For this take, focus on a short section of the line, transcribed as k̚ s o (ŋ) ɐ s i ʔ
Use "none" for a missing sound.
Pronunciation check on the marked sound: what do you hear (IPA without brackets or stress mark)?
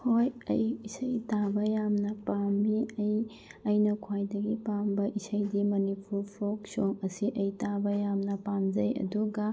ŋ